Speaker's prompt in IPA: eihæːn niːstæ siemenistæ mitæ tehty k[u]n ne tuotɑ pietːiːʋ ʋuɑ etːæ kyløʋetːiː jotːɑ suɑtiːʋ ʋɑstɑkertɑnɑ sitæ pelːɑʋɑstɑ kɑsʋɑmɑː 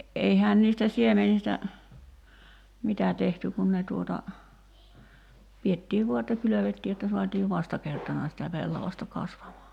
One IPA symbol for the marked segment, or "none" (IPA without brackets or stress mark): u